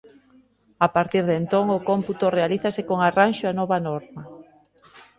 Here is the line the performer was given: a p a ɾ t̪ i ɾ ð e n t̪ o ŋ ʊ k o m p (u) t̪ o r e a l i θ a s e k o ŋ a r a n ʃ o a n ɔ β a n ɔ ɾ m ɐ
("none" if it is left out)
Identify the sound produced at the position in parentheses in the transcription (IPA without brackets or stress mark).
u